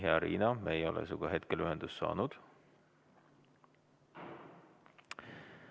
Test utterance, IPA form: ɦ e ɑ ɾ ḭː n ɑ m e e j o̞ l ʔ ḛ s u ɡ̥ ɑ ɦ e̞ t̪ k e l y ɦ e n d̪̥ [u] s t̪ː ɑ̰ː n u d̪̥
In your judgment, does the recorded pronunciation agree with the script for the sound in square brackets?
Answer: yes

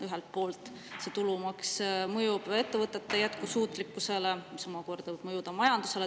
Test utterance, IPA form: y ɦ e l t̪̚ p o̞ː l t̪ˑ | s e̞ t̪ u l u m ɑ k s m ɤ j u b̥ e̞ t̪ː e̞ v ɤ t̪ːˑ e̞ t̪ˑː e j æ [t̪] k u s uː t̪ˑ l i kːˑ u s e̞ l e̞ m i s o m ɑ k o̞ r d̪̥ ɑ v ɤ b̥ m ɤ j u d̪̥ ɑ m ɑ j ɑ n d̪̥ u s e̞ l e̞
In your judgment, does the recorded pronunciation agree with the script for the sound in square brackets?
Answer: yes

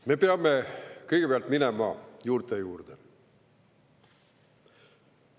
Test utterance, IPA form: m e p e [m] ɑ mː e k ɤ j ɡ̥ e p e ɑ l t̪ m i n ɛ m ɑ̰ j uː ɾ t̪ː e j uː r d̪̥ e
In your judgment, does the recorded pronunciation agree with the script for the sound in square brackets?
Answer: no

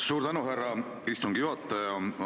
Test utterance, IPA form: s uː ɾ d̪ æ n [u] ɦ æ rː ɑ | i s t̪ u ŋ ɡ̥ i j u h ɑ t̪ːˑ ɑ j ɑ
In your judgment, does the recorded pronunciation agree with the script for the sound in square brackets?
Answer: yes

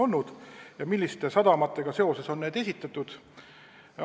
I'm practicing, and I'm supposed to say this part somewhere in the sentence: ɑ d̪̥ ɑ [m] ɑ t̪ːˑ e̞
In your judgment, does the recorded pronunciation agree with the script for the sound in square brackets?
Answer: yes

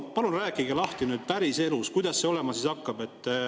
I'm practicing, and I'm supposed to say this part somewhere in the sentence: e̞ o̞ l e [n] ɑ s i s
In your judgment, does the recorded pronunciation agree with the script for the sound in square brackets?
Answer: no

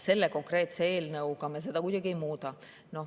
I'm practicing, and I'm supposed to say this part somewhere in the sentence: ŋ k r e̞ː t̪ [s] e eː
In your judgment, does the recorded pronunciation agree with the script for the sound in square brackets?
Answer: yes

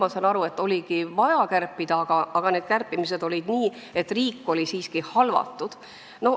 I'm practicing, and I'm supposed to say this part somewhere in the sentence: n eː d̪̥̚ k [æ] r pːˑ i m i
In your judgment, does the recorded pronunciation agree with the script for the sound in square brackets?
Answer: yes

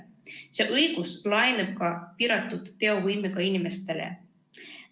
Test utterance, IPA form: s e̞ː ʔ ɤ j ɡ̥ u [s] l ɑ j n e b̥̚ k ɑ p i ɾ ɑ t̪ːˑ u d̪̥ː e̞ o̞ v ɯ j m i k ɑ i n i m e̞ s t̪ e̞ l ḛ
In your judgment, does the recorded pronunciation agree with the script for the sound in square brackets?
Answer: yes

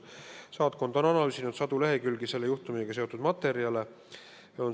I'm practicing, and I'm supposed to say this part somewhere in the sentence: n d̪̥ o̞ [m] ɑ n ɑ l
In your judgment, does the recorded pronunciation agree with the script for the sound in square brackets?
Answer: no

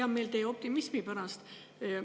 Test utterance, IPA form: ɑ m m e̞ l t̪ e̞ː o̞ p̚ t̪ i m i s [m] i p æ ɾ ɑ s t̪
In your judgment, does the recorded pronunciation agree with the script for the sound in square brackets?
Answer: yes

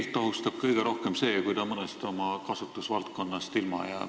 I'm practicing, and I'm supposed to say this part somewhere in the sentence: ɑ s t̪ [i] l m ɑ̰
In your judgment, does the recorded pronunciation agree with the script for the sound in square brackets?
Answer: yes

